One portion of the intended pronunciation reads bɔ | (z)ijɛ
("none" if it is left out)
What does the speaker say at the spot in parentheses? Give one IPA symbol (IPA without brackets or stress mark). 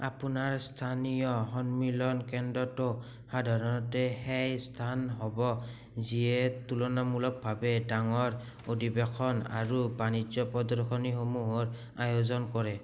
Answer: z